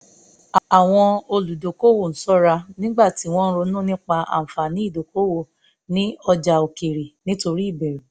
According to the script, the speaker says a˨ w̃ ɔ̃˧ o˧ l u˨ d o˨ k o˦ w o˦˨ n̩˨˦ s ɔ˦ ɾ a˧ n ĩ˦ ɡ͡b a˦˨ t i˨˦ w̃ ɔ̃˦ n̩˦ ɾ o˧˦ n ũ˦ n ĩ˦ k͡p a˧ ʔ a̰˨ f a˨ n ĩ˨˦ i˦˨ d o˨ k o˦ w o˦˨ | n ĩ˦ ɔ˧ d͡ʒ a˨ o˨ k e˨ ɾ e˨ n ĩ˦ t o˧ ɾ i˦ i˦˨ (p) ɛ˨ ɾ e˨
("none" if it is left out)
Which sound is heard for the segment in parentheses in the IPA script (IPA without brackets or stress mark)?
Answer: b